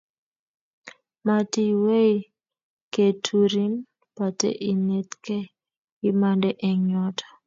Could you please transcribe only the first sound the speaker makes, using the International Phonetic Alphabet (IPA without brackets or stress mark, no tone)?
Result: m